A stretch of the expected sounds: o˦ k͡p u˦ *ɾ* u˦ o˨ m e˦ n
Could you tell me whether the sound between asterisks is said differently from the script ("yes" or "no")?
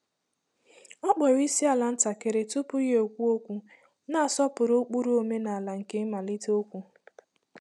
no